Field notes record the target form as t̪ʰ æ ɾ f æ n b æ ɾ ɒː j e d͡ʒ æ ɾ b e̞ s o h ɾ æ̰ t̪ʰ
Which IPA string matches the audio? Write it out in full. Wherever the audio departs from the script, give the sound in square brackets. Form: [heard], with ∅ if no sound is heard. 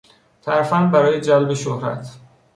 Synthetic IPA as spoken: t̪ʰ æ ɾ f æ n b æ ɾ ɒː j e d͡ʒ æ [l] b e̞ [ʃ] o h ɾ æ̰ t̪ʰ